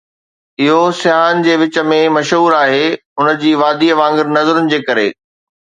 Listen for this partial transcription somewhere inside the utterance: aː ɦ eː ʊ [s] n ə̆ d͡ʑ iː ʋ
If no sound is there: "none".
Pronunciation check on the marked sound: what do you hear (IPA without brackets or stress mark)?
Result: none